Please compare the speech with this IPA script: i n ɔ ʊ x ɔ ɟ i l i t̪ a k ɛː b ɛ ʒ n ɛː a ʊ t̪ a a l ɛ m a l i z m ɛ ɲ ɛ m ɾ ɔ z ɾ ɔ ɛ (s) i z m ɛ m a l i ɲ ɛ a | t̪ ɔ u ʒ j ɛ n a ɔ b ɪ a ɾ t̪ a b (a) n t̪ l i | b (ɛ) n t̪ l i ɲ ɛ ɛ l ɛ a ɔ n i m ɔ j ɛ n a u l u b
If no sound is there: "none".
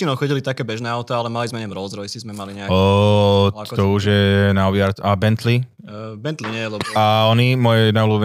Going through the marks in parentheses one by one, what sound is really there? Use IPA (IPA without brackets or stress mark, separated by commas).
s, ɛ, ɛ